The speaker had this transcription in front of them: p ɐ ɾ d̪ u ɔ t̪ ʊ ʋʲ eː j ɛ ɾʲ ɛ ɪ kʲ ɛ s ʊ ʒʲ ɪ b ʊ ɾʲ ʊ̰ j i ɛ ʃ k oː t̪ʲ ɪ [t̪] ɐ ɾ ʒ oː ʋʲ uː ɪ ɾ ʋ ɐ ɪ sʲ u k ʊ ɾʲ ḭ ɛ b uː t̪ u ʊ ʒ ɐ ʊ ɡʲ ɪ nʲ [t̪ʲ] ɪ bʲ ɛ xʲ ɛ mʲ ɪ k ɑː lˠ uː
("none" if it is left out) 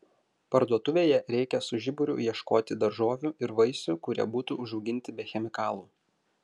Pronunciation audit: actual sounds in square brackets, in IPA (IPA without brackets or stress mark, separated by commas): d̪, t̪ʲ